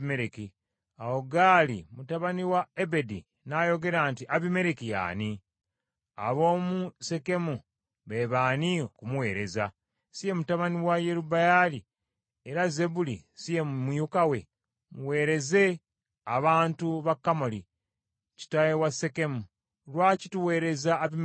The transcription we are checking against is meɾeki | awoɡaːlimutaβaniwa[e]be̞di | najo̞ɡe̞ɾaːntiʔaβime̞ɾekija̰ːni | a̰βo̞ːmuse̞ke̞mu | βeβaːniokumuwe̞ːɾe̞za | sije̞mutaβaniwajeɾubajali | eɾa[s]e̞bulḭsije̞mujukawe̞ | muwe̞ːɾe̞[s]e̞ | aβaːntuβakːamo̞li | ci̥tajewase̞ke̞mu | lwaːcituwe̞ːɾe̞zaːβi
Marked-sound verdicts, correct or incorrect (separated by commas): correct, incorrect, incorrect